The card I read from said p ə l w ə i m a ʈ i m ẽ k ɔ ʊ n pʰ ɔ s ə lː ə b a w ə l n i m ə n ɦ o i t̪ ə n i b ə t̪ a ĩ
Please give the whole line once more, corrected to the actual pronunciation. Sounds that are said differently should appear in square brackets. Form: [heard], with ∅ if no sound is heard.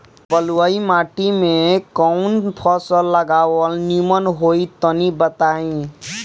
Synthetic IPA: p ə l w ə i m a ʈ i m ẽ k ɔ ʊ n pʰ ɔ s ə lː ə [ɡ] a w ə l n i m ə n ɦ o i t̪ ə n i b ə t̪ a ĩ